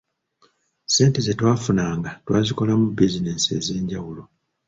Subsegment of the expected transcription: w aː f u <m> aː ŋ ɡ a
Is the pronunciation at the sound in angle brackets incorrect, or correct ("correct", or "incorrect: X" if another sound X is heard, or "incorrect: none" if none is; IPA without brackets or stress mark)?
incorrect: n